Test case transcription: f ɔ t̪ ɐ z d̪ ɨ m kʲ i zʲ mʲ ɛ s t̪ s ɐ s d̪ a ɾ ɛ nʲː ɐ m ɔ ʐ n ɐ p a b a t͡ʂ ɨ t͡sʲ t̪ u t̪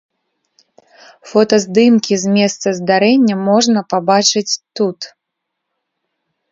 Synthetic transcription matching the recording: f ɔ t̪ ɐ z d̪ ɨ m kʲ i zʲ mʲ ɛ s t̪ s ɐ z d̪ a ɾ ɛ nʲː ɐ m ɔ ʐ n ɐ p a b a t͡ʂ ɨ t͡sʲ t̪ u t̪

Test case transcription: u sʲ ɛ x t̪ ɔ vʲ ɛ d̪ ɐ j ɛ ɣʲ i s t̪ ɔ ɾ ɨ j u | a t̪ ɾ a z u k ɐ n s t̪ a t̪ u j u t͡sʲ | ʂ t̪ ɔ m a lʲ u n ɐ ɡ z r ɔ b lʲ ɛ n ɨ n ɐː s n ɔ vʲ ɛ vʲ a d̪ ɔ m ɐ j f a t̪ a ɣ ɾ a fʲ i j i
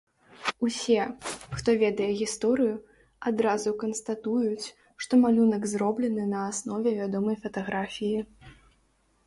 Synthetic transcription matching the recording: u sʲ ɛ x t̪ ɔ vʲ ɛ d̪ ɐ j ɛ ɣʲ i s t̪ ɔ ɾ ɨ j u | a d̪ ɾ a z u k ɐ n s t̪ a t̪ u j u t͡sʲ | ʂ t̪ ɔ m a lʲ u n ɐ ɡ z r ɔ b lʲ ɛ n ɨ n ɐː s n ɔ vʲ ɛ vʲ a d̪ ɔ m ɐ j f ɐ t̪ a ɣ ɾ a fʲ i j i

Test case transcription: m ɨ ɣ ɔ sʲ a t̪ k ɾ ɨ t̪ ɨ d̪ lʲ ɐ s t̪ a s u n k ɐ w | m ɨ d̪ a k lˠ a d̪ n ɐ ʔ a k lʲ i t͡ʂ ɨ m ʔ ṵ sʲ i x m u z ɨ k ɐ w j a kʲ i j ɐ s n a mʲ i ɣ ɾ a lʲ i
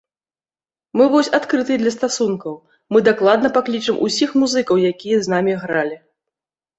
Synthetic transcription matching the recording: m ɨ v ɔ sʲ a t̪ k ɾ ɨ t̪ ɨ d̪ lʲ ɐ s t̪ a s u n k ɐ w | m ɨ d̪ a k lˠ a d̪ n ɐ p a k lʲ i t͡ʂ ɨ m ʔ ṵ sʲ i x m u z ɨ k ɐ w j a kʲ i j ɐ z n a mʲ i ɣ ɾ a lʲ i

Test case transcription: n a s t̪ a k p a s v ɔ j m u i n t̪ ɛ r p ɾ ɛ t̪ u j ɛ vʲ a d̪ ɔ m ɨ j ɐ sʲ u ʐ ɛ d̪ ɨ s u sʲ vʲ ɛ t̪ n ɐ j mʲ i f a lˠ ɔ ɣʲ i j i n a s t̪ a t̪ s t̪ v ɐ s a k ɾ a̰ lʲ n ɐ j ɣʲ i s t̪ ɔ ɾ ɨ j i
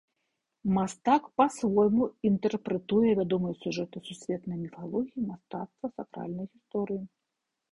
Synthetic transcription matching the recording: m a s t̪ a k p a s v ɔ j m u i n t̪ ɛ r p ɾ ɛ t̪ u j ɛ vʲ a d̪ ɔ m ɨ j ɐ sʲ u ʐ ɛ t̪ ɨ s u sʲ vʲ ɛ t̪ n ɐ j mʲ i f a lˠ ɔ ɣʲ i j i m a s t̪ a t̪ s t̪ v ɐ s a k ɾ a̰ lʲ n ɐ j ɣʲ i s t̪ ɔ ɾ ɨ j i

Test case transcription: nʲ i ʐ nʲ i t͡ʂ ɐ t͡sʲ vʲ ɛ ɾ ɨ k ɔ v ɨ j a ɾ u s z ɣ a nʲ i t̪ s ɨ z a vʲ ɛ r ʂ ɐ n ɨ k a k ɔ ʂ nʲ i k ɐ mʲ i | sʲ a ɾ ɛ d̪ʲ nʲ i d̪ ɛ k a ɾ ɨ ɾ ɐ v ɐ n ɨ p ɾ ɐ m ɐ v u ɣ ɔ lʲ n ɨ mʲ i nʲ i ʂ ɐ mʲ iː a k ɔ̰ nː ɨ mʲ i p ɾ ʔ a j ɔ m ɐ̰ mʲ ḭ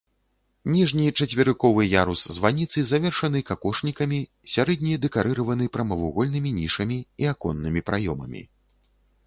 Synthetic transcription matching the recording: nʲ i ʐ nʲ i t͡ʂ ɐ t͡sʲ vʲ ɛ ɾ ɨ k ɔ v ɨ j a ɾ u s z v a nʲ i t̪ s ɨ z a vʲ ɛ r ʂ ɐ n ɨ k a k ɔ ʂ nʲ i k ɐ mʲ i | sʲ a ɾ ɛ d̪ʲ nʲ i d̪ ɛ k a ɾ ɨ ɾ ɐ v ɐ n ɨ p ɾ ɐ m ɐ v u ɣ ɔ lʲ n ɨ mʲ i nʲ i ʂ ɐ mʲ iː a k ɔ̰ nː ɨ mʲ i p ɾ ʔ a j ɔ m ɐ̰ mʲ ḭ

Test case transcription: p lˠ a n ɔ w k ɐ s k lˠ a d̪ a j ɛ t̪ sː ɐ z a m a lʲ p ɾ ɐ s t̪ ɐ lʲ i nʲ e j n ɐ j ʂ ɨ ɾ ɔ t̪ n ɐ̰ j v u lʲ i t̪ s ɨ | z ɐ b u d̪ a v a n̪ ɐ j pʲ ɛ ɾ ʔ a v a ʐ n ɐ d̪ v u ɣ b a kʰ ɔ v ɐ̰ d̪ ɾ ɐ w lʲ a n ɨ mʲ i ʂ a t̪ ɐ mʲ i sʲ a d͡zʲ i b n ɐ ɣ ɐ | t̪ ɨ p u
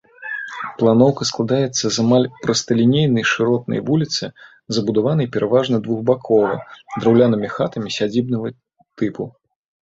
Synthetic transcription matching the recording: p lˠ a n ɔ w k ɐ s k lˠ a d̪ a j ɛ t̪ sː ɐ z a m a lʲ p ɾ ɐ s t̪ ɐ lʲ i nʲ e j n ɐ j ʂ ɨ ɾ ɔ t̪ n ɐ̰ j v u lʲ i t̪ s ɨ | z ɐ b u d̪ a v a n̪ ɐ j pʲ ɛ ɾ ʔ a v a ʐ n ɐ d̪ v u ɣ b a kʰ ɔ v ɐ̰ d̪ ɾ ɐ w lʲ a n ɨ mʲ i x a t̪ ɐ mʲ i sʲ a d͡zʲ i b n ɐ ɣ ɐ | t̪ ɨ p u

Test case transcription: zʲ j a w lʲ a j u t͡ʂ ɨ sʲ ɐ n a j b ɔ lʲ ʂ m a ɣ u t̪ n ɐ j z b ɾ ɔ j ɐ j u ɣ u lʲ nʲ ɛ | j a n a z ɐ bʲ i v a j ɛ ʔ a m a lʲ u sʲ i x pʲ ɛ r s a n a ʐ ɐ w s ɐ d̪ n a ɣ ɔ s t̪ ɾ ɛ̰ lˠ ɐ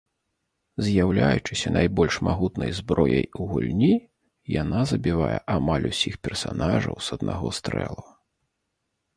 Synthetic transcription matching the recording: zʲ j a w lʲ a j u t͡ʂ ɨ sʲ ɐ n a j b ɔ lʲ ʂ m a ɣ u t̪ n ɐ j z b ɾ ɔ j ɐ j u ɣ u lʲ nʲ i | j a n a z ɐ bʲ i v a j ɛ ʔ a m a lʲ u sʲ i x pʲ ɛ r s a n a ʐ ɐ w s ɐ d̪ n a ɣ ɔ s t̪ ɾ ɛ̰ lˠ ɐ

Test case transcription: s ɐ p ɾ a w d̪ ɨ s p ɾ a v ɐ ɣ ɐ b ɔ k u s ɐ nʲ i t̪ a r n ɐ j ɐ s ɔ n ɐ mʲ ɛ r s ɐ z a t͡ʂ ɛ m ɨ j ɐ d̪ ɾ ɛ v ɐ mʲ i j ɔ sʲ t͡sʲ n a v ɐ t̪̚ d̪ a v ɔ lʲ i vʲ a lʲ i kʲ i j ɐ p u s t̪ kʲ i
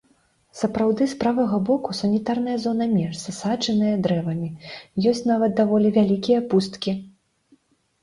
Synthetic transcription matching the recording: s ɐ p ɾ a w d̪ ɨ s p ɾ a v ɐ ɣ ɐ b ɔ k u s ɐ nʲ i t̪ a r n ɐ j ɐ z ɔ n ɐ mʲ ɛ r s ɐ s a t͡ʂ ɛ n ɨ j ɐ d̪ ɾ ɛ v ɐ mʲ i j ɔ sʲ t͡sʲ n a v ɐ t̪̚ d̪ a v ɔ lʲ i vʲ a lʲ i kʲ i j ɐ p u s t̪ kʲ i

